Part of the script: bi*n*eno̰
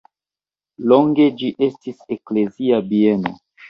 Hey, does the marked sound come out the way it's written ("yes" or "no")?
no